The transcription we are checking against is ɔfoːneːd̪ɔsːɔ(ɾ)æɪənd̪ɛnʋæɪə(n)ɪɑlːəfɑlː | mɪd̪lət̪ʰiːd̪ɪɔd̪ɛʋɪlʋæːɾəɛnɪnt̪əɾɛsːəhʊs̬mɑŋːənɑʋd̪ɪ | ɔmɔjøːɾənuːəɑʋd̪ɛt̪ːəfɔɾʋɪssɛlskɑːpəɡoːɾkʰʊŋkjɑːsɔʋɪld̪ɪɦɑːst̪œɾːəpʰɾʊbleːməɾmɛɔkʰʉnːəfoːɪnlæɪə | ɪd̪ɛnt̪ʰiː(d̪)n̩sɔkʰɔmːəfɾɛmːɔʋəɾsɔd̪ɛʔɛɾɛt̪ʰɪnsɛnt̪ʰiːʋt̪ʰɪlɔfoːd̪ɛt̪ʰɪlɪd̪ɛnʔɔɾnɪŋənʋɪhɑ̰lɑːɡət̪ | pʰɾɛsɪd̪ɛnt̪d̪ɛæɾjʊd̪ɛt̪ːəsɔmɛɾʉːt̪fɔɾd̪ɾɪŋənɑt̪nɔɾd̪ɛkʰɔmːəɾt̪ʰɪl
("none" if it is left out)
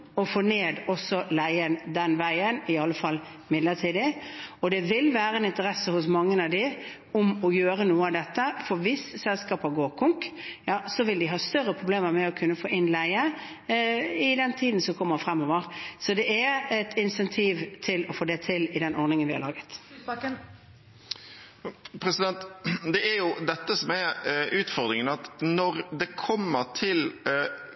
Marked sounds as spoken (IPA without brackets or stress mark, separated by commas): l, n, d̪